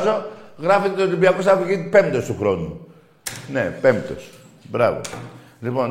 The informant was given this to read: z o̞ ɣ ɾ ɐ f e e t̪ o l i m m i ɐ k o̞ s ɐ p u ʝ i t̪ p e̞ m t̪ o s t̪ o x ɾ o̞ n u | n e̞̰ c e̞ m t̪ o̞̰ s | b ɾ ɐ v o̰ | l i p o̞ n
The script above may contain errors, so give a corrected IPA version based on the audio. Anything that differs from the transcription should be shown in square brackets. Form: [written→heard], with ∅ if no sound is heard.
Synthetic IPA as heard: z o̞ ɣ ɾ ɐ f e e t̪ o l i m [m→b] i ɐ k o̞ s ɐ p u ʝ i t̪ p e̞ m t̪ o s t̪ [o→u] x ɾ o̞ n u | n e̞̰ [c→p] e̞ m t̪ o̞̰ s | b ɾ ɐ v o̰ | l i p o̞ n